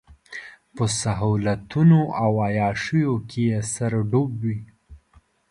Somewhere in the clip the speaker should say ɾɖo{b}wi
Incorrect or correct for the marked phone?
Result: correct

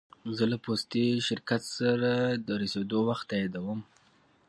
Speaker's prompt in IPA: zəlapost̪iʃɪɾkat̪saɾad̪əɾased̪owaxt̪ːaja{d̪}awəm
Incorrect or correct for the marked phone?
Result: correct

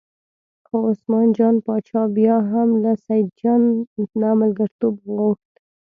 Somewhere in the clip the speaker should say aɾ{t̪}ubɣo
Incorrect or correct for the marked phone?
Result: correct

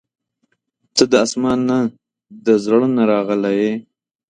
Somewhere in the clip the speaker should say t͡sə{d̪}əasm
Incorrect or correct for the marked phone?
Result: correct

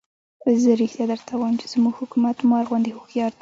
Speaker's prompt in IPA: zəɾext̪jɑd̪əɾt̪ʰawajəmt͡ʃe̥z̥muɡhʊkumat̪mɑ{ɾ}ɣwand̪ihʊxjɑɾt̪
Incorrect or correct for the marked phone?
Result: correct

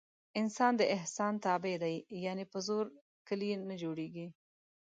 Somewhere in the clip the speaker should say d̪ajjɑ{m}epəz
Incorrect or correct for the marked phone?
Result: incorrect: n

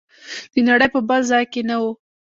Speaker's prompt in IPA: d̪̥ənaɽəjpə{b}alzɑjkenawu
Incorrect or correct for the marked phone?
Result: correct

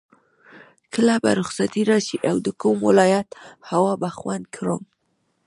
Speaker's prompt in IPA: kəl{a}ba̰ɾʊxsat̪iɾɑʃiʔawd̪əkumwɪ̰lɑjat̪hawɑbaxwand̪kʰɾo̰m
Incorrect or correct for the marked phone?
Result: correct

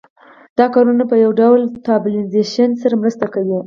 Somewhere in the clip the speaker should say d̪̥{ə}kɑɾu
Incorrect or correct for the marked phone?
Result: incorrect: ɑ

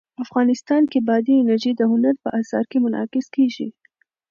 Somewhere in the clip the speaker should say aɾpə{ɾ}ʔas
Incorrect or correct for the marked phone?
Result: incorrect: none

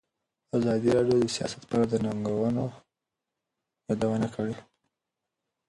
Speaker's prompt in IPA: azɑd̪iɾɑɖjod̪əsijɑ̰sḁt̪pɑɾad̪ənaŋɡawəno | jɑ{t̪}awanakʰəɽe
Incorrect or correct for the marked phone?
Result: incorrect: d̪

